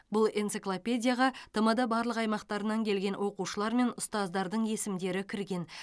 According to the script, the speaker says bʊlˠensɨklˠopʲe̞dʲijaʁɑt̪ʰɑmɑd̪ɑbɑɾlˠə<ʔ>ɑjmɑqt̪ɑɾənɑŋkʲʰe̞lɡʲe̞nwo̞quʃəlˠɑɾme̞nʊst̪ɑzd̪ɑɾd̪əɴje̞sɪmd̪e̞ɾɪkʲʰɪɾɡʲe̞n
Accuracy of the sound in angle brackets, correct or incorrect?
incorrect